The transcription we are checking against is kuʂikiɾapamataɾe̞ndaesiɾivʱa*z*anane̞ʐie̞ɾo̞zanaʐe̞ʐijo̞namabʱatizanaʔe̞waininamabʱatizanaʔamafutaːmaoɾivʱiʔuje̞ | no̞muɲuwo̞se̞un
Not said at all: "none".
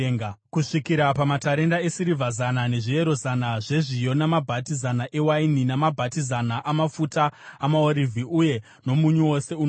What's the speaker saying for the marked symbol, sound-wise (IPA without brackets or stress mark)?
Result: z